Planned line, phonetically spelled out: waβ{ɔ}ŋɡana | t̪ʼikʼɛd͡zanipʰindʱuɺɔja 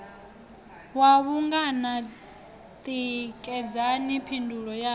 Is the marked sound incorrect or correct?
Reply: incorrect